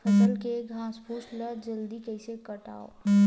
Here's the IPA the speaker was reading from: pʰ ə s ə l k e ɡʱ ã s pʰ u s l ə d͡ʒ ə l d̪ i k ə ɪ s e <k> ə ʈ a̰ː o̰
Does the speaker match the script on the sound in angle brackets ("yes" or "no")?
yes